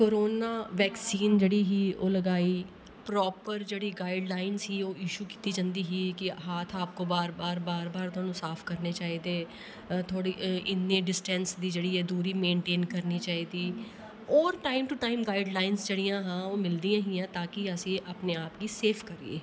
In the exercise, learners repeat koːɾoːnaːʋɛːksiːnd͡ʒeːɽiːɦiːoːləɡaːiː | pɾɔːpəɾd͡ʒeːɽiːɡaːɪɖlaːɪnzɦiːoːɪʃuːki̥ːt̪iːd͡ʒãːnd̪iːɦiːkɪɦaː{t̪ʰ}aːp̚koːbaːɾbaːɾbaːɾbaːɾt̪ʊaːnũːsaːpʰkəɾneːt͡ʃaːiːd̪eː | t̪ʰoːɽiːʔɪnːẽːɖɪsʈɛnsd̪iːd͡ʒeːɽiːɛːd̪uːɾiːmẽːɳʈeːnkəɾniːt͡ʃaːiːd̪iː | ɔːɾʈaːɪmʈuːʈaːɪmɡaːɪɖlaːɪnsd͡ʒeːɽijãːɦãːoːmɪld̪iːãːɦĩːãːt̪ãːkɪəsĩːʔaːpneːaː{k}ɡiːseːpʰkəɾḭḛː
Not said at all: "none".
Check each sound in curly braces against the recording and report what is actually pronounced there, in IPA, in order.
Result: t̪ʰ, p

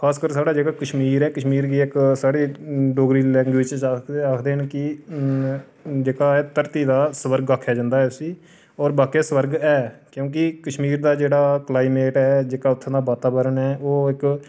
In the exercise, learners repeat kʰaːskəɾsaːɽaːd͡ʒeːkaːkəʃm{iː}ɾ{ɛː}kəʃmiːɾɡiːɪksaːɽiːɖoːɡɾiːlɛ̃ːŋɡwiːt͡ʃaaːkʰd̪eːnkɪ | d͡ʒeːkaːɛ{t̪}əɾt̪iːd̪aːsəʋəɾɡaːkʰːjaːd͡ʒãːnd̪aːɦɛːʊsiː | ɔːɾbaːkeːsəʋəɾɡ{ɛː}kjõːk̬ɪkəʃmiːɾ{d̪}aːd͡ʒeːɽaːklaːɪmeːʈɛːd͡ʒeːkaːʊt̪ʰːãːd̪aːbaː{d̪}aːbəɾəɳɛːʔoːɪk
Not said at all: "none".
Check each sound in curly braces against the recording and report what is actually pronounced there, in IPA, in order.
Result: iː, ɛː, t̪, ɛː, d̪, t̪

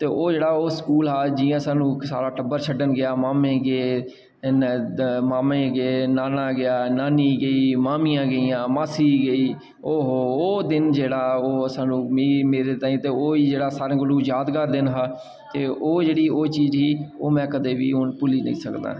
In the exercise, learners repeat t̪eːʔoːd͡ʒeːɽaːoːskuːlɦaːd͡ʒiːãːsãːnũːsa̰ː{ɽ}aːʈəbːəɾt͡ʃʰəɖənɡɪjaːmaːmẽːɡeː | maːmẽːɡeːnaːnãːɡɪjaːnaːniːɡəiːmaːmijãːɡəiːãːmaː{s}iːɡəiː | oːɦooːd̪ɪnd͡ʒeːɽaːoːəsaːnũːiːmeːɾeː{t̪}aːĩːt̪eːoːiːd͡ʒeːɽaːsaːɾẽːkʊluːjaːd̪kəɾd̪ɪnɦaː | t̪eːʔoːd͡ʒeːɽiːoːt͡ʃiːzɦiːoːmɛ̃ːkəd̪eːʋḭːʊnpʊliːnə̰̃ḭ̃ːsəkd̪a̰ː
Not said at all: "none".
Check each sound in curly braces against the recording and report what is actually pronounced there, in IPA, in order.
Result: ɾ, s, t̪

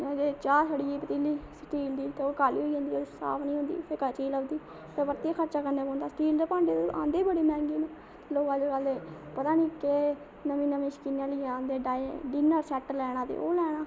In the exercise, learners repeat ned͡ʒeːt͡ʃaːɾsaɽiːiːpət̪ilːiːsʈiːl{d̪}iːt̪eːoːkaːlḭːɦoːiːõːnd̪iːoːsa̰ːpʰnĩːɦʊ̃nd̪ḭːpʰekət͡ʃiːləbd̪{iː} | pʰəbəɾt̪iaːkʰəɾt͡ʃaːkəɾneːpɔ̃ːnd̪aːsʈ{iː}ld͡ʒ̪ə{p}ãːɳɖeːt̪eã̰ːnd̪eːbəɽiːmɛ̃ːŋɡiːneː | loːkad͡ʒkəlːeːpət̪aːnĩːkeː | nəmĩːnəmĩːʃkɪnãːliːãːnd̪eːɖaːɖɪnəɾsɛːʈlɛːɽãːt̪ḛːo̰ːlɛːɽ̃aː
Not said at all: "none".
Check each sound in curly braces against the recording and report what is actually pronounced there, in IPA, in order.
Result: d̪, iː, iː, p

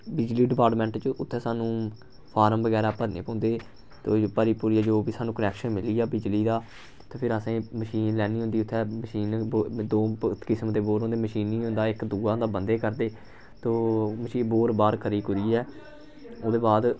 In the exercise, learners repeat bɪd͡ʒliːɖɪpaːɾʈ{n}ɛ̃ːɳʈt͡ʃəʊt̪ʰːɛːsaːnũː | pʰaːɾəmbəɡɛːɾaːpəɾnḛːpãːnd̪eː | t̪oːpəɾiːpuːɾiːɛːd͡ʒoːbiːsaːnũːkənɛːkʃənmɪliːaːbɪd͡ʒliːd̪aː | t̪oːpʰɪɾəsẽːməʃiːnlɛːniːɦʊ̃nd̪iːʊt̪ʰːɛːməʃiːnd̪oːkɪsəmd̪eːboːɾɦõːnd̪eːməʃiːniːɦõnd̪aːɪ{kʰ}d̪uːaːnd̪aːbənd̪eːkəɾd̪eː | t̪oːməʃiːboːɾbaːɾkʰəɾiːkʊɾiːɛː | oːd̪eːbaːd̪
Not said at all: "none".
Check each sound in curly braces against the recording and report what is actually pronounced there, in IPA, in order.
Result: m, k

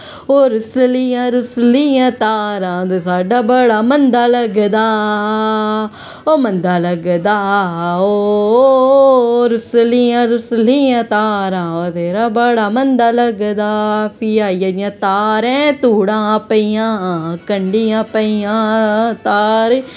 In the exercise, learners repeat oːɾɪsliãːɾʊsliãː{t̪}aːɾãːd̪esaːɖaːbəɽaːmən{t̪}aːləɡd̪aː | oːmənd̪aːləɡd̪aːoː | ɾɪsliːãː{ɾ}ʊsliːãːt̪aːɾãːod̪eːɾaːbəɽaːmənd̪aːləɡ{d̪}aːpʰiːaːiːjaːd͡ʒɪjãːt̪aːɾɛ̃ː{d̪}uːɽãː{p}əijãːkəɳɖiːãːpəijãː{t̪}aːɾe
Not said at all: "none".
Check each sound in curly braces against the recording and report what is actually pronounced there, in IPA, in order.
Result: t̪, d̪, ɾ, d̪, t̪, p, t̪

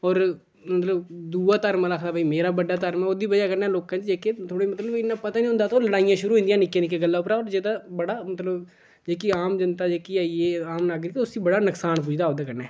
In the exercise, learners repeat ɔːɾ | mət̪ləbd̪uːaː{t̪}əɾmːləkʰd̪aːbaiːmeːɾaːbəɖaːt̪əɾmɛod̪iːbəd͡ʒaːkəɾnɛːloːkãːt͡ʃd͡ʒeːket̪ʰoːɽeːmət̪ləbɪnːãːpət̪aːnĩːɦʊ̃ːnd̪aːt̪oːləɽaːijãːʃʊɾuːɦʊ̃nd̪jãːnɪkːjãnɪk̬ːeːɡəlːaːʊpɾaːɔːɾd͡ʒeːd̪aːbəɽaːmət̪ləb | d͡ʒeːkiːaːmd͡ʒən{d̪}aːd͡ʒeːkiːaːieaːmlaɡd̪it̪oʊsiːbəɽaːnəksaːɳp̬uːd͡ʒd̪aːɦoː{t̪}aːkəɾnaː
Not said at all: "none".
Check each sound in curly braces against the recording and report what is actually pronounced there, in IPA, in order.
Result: t̪, t̪, d̪

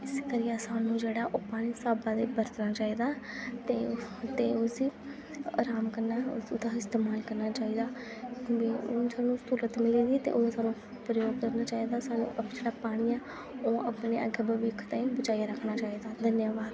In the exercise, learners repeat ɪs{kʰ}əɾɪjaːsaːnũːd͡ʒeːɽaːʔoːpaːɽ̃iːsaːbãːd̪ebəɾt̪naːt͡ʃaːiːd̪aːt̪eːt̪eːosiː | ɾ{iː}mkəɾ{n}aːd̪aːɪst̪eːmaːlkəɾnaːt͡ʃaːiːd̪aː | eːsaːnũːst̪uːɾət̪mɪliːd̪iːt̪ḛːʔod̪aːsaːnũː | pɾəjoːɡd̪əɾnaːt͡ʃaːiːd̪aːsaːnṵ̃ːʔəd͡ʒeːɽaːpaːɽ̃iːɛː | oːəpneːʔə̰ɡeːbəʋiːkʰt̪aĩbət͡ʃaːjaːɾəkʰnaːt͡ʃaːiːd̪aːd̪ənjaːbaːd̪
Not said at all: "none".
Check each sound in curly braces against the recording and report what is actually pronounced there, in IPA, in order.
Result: k, aː, n

